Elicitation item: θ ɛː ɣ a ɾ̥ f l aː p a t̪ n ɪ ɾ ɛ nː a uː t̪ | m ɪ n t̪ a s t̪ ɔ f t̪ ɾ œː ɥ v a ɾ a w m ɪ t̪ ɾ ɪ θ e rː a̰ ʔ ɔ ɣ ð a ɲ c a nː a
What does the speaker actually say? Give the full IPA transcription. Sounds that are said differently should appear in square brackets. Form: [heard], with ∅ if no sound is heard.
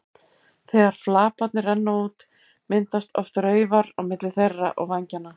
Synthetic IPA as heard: θ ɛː ɣ a ɾ̥ f l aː p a t̪ n ɪ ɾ ɛ nː a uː t̪ | m ɪ n t̪ a s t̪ ɔ f t̪ ɾ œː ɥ v a ɾ a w m ɪ t̪ [l] ɪ θ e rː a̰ ʔ ɔ ɣ [v] a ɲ c a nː a